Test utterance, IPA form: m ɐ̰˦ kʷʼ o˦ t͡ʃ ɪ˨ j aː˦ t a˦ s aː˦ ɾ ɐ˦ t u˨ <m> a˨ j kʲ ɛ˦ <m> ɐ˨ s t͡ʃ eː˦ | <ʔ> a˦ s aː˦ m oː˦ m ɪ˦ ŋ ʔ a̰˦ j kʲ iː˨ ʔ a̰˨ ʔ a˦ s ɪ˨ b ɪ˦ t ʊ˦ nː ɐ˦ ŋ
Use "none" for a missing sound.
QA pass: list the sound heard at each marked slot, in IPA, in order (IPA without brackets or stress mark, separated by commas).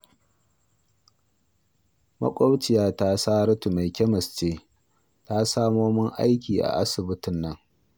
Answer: m, m, t